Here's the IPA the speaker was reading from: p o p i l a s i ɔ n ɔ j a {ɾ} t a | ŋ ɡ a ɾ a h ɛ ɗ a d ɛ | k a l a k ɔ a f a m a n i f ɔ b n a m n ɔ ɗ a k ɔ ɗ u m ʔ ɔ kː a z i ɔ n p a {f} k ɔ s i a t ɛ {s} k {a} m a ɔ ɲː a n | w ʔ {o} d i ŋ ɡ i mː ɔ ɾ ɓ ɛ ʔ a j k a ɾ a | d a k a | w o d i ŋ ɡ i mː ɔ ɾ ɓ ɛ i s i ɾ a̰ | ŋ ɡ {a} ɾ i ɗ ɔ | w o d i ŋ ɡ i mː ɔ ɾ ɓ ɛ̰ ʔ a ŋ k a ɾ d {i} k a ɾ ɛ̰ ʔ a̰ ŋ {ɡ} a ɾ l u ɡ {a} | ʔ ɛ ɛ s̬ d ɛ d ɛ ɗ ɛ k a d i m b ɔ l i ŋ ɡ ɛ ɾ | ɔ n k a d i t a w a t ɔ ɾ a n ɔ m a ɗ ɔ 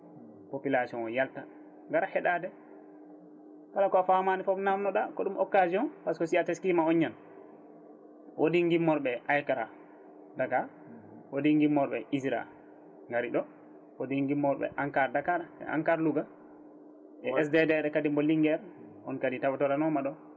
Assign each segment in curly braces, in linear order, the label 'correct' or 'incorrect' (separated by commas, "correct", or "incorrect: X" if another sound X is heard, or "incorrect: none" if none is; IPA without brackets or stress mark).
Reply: incorrect: l, incorrect: s, correct, incorrect: i, correct, correct, incorrect: a, incorrect: k, correct